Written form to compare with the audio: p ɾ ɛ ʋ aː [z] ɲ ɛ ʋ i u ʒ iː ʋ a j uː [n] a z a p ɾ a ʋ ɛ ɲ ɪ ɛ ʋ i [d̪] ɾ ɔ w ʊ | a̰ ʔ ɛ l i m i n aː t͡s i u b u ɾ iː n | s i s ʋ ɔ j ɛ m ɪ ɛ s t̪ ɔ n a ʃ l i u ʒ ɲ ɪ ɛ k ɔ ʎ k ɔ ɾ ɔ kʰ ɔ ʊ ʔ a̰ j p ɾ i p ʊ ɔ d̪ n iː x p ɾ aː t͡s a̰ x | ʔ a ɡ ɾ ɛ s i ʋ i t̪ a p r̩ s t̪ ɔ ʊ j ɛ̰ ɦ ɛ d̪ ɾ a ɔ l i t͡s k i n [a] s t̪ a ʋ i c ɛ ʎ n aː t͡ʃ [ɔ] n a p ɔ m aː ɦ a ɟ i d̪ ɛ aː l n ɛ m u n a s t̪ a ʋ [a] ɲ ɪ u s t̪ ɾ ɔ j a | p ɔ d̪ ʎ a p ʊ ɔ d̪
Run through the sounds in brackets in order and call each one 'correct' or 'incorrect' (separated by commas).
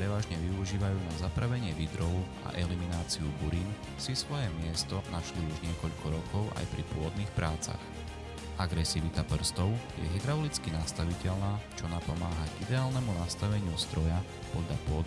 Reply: incorrect, correct, correct, correct, correct, incorrect